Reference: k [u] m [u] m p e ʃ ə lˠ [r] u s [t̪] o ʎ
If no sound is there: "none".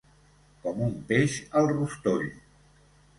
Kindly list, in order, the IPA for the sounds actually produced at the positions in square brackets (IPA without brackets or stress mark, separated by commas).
ɔ, u, r, t̪